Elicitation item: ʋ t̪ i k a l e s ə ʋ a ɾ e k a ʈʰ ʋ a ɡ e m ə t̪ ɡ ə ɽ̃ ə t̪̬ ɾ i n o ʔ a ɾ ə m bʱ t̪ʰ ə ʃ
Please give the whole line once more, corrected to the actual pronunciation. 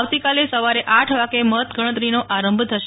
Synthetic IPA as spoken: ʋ t̪ i k a l e s ə ʋ a ɾ e ʔ a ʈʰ ʋ a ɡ e m ə t̪ ɡ ə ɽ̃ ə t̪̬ ɾ i n o ʔ a ɾ ə m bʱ t̪ʰ ə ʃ